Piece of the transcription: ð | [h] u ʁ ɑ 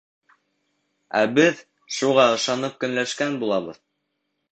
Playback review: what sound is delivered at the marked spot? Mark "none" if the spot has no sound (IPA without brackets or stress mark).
ʃ